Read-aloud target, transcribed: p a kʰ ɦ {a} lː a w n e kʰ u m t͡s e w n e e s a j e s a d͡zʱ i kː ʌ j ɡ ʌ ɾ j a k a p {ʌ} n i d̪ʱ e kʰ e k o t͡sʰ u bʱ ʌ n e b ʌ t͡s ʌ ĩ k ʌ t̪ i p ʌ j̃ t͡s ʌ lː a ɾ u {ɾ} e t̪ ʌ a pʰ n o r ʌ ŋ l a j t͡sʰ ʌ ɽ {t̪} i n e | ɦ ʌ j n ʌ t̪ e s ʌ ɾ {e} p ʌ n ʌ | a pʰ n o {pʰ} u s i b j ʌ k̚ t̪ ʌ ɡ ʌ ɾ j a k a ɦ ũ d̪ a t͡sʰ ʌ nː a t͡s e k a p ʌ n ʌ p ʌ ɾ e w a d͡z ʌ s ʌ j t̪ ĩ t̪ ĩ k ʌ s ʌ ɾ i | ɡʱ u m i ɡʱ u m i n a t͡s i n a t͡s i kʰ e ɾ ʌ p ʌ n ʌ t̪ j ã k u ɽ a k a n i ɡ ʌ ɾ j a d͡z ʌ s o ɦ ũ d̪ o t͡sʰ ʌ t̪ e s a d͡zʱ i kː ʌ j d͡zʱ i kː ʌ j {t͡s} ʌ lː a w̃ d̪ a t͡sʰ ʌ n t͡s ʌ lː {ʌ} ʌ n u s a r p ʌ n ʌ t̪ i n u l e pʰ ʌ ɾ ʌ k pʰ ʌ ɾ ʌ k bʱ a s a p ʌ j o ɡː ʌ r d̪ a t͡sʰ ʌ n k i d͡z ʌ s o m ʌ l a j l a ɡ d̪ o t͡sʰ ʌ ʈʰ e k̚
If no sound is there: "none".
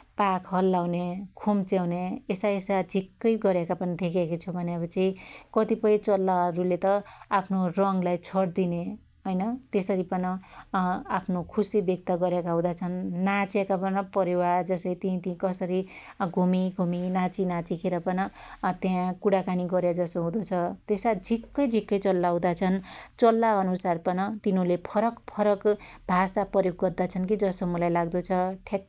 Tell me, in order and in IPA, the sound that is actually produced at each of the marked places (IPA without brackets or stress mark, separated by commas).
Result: ʌ, ʌ, l, d̪, i, kʰ, t͡s, a